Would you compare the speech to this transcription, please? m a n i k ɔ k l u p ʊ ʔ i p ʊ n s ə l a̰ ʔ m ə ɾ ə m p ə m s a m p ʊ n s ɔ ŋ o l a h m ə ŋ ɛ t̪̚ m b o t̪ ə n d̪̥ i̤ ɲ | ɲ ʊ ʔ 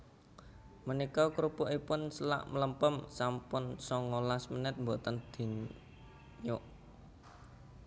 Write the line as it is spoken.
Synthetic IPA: m ə n i k ɔ k ɾ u p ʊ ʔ i p ʊ n s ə l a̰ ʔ m ə l ə m p ə m s a m p ʊ n s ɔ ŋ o l a s m ə n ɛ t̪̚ m b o t̪ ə n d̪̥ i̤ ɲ | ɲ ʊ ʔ